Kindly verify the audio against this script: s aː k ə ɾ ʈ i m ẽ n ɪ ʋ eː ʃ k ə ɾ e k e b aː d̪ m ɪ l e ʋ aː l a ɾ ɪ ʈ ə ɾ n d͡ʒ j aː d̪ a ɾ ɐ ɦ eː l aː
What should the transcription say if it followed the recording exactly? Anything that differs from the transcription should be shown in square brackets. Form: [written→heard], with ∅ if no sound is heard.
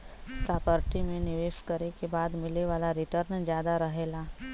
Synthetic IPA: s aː [k→p] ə ɾ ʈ i m ẽ n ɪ ʋ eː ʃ k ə ɾ e k e b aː d̪ m ɪ l e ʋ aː l a ɾ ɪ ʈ ə ɾ n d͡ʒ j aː d̪ a ɾ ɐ ɦ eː l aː